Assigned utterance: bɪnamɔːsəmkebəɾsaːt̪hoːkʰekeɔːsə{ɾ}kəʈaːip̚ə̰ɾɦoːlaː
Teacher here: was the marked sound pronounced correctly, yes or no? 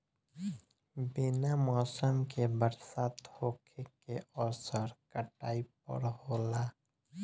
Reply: yes